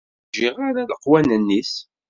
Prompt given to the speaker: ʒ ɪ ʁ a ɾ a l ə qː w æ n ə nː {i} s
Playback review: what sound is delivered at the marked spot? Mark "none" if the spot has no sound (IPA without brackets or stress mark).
i